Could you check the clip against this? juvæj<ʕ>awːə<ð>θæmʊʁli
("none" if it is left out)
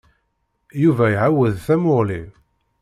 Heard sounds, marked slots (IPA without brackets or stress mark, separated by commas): ʕ, ð